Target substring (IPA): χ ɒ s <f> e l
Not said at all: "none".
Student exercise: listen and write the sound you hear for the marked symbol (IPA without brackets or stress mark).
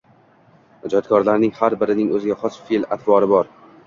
f